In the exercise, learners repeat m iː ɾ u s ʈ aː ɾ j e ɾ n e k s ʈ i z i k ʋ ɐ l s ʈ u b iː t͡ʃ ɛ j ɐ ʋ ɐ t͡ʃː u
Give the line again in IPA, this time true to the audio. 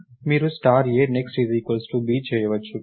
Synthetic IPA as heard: m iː ɾ u s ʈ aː ɾ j e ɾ n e k s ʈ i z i k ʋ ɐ l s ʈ u b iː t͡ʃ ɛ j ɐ ʋ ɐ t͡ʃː u